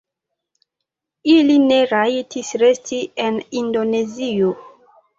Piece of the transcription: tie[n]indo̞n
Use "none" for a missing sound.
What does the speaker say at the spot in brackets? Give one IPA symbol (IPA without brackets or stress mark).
n